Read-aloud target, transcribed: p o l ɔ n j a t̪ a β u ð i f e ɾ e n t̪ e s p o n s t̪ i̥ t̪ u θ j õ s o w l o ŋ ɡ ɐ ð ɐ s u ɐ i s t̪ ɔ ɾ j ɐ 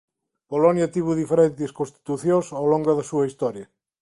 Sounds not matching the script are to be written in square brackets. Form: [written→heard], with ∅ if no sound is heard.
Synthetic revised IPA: p o l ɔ n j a t̪ [a→i] β u ð i f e ɾ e n t̪ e s [p→k] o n s t̪ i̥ t̪ u θ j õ s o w l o ŋ ɡ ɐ ð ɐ s u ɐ i s t̪ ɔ ɾ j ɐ